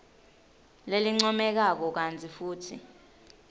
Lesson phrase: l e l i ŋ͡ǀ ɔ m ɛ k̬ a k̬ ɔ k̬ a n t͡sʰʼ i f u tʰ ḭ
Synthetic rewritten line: l e l i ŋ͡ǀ ɔ m ɛ k̬ a k̬ ɔ k̬ a n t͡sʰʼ i f uː tʰ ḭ